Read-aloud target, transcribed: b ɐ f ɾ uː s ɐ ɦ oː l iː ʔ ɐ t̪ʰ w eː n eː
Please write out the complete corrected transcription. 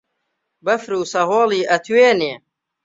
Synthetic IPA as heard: b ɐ f ɾ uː s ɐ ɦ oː l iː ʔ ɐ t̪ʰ w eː n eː

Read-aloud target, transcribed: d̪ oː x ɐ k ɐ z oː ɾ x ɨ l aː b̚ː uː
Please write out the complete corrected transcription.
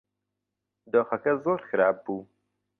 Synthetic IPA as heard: d̪ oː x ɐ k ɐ z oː ɾ x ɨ ɾ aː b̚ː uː

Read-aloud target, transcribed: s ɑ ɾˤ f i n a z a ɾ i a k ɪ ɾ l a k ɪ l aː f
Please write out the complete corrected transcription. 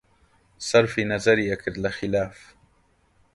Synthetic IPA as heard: s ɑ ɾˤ f i n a z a ɾ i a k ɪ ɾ l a x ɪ l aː f

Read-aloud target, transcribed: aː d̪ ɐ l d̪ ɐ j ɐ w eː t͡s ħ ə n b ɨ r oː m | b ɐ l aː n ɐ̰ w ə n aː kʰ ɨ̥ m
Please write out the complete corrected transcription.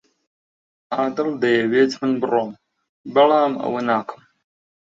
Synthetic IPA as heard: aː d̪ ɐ l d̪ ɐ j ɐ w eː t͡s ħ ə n b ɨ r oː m | b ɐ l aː m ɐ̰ w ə n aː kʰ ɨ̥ m

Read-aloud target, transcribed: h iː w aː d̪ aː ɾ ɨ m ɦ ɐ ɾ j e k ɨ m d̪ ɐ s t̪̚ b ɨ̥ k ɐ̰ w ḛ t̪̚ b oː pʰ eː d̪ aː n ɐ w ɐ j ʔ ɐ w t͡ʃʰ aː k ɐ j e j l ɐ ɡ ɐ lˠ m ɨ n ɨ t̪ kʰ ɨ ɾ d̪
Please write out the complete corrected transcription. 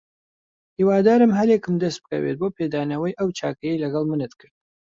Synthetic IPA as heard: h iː w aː d̪ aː ɾ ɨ m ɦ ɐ ɾ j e k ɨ m d̪ ɐ s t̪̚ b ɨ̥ k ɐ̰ w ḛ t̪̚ b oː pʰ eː d̪ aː n ɐ w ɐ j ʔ ɐ w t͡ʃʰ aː k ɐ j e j l ɐ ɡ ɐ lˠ m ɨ n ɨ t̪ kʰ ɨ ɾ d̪

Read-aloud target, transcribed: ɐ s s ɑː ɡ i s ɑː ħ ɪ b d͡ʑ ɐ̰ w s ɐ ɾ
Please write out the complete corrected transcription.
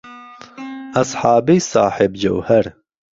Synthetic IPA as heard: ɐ s ħ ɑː b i s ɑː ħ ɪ b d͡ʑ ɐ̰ w h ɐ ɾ

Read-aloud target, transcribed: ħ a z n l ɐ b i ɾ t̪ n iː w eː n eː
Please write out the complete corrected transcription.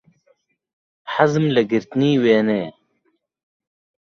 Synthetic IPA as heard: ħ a z m l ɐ ɡ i ɾ t̪ n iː w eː n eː

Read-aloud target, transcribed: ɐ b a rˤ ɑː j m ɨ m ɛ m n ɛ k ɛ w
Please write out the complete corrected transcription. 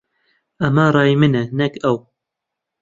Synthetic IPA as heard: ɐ m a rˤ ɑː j m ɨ n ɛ n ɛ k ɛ w

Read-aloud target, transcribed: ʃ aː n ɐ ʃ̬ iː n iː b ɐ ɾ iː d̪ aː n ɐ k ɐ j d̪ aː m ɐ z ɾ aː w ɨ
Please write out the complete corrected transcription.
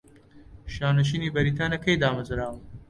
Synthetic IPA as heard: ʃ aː n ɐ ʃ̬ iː n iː b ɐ ɾ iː t̪ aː n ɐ k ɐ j d̪ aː m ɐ z ɾ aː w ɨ

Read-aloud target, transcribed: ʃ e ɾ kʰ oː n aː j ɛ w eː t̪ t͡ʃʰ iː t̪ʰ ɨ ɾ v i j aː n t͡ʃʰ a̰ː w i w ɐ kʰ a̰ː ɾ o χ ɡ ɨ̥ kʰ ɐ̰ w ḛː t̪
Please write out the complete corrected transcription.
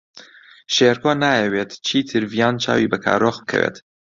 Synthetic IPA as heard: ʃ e ɾ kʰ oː n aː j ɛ w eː t̪ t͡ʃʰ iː t̪ʰ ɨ ɾ v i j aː n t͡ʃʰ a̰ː w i b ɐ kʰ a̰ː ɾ o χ b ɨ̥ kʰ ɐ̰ w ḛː t̪

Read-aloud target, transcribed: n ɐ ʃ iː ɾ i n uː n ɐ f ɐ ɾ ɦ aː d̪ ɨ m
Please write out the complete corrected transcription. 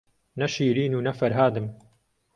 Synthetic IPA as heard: n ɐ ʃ iː ɾ iː n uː n ɐ f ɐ ɾ ɦ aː d̪ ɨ m

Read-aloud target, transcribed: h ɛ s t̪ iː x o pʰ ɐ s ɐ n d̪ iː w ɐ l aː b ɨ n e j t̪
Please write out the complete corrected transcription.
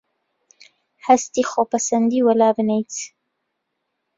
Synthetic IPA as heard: h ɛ s t̪ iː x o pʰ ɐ s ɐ n d̪ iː w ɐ l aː b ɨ n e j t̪

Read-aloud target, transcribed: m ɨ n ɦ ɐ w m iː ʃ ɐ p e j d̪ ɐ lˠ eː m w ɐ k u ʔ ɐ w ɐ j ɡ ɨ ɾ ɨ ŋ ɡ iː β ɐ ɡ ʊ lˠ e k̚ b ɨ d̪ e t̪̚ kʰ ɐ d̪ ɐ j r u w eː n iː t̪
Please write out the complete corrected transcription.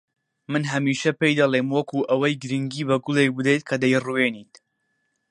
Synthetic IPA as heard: m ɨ n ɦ ɐ m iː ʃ ɐ p e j d̪ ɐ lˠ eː m w ɐ k u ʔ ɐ w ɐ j ɡ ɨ ɾ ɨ ŋ ɡ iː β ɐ ɡ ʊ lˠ e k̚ b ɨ d̪ e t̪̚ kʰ ɐ d̪ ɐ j r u w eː n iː t̪

